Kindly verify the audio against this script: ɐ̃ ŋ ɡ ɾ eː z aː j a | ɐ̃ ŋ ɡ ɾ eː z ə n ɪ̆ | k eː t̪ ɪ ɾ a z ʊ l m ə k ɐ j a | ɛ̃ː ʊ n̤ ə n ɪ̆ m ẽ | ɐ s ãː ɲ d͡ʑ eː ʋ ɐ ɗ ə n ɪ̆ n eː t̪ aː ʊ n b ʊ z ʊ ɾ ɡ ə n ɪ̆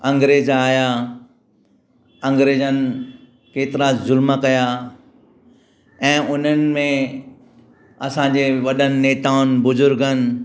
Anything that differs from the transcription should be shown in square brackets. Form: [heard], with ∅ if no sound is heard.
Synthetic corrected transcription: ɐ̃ ŋ ɡ ɾ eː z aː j a | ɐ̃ ŋ ɡ ɾ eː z ə n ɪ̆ | k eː t̪ ɪ ɾ a z ʊ l m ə k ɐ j a | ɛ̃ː ʊ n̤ ə n ɪ̆ m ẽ | ɐ s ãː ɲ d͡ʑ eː ʋ ɐ ɗ ə n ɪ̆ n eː t̪ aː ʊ n b ʊ z ʊ ɾ ɡ ə n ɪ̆